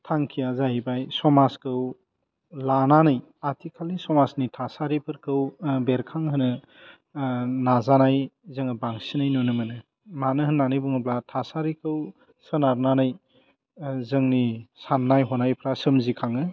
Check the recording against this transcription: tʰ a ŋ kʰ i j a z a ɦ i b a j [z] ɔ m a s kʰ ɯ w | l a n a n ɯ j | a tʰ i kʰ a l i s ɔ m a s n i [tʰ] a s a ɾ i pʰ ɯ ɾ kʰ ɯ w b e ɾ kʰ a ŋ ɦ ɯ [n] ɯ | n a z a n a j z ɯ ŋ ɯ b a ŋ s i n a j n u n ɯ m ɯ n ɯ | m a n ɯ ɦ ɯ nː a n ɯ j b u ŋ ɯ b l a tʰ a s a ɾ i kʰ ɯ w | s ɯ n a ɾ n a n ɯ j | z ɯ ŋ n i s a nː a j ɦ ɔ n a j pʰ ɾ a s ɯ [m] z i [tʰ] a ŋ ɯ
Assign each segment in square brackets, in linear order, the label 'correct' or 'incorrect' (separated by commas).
incorrect, correct, correct, correct, incorrect